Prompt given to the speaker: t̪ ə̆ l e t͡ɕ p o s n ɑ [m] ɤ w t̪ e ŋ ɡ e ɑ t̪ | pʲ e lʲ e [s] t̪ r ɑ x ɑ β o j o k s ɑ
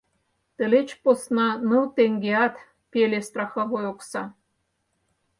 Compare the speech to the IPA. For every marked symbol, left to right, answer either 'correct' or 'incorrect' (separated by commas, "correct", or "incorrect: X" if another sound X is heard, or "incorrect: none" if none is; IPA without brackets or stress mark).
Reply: incorrect: n, correct